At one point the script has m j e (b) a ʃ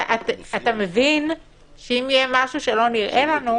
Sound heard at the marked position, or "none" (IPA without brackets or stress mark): m